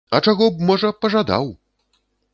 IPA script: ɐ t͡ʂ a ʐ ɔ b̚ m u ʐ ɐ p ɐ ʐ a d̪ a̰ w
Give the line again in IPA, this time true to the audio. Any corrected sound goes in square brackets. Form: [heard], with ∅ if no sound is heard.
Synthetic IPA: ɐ t͡ʂ a [ɣ] ɔ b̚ m [ɔ] ʐ ɐ p ɐ ʐ a d̪ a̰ w

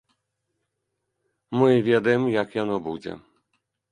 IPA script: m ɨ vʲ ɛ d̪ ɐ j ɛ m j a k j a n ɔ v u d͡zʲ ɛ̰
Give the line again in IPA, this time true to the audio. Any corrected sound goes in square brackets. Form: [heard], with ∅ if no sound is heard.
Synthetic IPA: m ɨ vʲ ɛ d̪ ɐ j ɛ m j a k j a n ɔ [b] u d͡zʲ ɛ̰

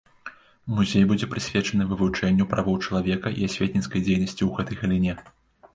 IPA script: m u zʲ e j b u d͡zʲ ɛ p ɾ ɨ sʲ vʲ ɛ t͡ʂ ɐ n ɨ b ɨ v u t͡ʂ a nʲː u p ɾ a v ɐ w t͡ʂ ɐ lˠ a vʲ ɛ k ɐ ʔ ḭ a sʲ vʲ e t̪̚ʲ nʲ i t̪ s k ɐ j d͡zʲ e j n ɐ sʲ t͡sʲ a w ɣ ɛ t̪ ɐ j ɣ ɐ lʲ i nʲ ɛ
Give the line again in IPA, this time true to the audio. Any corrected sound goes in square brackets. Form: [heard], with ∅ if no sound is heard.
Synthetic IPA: m u zʲ e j b u d͡zʲ ɛ p ɾ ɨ sʲ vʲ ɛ t͡ʂ ɐ n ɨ [v] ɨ v u t͡ʂ [ɛ] nʲː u p ɾ a v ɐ w t͡ʂ ɐ lˠ a vʲ ɛ k ɐ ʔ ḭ a sʲ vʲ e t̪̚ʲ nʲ i t̪ s k ɐ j d͡zʲ e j n ɐ sʲ t͡sʲ [i] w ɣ ɛ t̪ ɐ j ɣ ɐ lʲ i nʲ ɛ

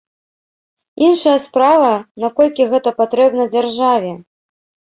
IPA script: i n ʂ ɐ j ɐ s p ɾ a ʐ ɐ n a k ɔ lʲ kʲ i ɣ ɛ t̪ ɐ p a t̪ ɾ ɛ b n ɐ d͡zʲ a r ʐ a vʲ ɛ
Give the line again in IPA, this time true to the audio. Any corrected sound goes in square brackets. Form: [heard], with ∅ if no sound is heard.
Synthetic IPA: i n ʂ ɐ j ɐ s p ɾ a [v] ɐ n a k ɔ lʲ kʲ i ɣ ɛ t̪ ɐ p a t̪ ɾ ɛ b n ɐ d͡zʲ a r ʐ a vʲ ɛ

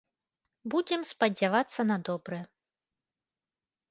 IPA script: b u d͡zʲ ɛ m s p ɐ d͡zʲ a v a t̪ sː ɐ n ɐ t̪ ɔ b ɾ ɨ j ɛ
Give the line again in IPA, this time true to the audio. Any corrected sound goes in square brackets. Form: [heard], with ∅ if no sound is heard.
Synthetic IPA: b u d͡zʲ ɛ m s p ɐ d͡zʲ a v a t̪ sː ɐ n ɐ [d̪] ɔ b ɾ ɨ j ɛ

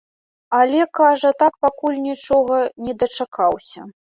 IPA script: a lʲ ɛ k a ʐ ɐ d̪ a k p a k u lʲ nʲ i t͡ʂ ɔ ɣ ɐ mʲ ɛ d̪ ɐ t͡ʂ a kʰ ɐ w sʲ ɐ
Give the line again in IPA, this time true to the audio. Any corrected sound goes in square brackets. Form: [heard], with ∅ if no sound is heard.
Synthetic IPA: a lʲ ɛ k a ʐ ɐ [t̪] a k p a k u lʲ nʲ i t͡ʂ ɔ ɣ ɐ [nʲ] ɛ d̪ ɐ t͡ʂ a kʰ [a] w sʲ ɐ

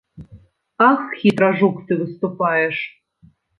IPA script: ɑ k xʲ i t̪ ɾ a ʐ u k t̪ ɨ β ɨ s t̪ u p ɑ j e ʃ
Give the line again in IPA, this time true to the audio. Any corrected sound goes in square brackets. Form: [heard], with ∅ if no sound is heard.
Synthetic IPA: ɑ [x] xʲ i t̪ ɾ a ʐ u k t̪ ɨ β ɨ s t̪ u p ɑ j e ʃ

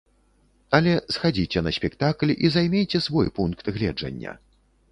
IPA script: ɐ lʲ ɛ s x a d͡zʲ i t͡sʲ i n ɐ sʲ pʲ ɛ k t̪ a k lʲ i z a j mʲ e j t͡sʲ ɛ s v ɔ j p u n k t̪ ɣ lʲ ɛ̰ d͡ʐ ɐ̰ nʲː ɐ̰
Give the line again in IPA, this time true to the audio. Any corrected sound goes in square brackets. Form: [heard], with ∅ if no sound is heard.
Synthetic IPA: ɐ lʲ ɛ s x a d͡zʲ i t͡sʲ [ɛ] n ɐ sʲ pʲ ɛ k t̪ a k lʲ i z a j mʲ e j t͡sʲ ɛ s v ɔ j p u n k t̪ ɣ lʲ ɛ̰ d͡ʐ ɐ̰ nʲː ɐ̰

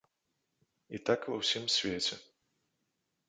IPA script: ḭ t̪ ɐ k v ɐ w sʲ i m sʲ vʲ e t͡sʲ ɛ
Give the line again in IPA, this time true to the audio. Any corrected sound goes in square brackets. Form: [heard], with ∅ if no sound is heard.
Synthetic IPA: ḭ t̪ [a] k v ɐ w sʲ i m sʲ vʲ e t͡sʲ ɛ

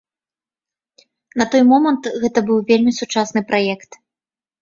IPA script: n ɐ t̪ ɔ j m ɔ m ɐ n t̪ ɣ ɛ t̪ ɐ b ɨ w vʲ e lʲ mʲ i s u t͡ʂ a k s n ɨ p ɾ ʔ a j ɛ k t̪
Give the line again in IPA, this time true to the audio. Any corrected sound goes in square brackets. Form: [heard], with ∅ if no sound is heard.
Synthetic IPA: n ɐ t̪ ɔ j m ɔ m ɐ n t̪ ɣ ɛ t̪ ɐ b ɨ w vʲ e lʲ mʲ i s u t͡ʂ a [∅] s n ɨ p ɾ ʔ a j ɛ k t̪

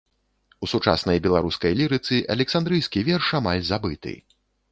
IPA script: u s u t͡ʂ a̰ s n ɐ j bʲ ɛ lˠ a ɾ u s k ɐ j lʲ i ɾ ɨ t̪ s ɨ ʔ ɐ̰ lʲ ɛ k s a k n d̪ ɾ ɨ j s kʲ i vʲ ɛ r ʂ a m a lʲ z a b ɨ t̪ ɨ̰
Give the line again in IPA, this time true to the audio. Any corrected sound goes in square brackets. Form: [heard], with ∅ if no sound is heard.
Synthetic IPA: u s u t͡ʂ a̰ s n ɐ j bʲ ɛ lˠ a ɾ u s k ɐ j lʲ i ɾ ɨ t̪ s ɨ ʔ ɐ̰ lʲ ɛ k s a [∅] n d̪ ɾ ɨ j s kʲ i vʲ ɛ r ʂ a m a lʲ z a b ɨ t̪ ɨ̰

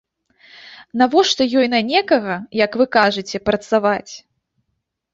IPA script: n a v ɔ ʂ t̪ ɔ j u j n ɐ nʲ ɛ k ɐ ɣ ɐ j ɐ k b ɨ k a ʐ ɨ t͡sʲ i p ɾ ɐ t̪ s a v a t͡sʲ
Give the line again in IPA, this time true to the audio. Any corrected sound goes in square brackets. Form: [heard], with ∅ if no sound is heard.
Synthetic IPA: n a v ɔ ʂ t̪ ɔ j [ɔ] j n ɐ nʲ ɛ k ɐ ɣ ɐ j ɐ k [v] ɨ k a ʐ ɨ t͡sʲ [ɛ] p ɾ ɐ t̪ s a v a t͡sʲ

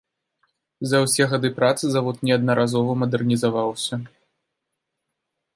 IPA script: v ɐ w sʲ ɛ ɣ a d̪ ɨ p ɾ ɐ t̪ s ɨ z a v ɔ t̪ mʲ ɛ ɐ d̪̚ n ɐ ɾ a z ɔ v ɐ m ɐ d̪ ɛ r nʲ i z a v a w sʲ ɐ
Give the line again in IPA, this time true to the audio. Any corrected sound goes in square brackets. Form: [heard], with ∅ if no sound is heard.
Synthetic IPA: [z] ɐ w sʲ ɛ ɣ a d̪ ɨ p ɾ [a] t̪ s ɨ z a v ɔ t̪ [nʲ] ɛ ɐ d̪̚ n ɐ ɾ a z ɔ v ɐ m ɐ d̪ ɛ r nʲ i z a v a w sʲ ɐ

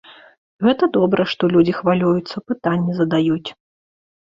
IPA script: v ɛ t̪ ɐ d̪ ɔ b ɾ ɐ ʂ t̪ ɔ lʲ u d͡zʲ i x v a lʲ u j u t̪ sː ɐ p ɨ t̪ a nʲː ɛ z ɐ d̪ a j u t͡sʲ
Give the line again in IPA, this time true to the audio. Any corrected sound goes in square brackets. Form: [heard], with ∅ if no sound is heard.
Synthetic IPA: [ɣ] ɛ t̪ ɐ d̪ ɔ b ɾ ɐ ʂ t̪ ɔ lʲ u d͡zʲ i x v a lʲ u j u t̪ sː ɐ p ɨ t̪ a nʲː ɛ z ɐ d̪ a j u t͡sʲ

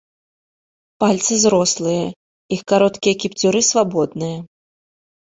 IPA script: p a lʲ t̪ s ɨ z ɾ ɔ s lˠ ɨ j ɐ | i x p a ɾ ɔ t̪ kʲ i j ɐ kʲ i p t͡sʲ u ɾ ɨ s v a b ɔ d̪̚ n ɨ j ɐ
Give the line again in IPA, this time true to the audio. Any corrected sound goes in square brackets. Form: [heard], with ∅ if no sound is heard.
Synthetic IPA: p a lʲ t̪ s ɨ z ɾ ɔ s lˠ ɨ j ɐ | i x [k] a ɾ ɔ t̪ kʲ i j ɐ kʲ i p t͡sʲ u ɾ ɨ s v a b ɔ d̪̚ n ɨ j ɐ

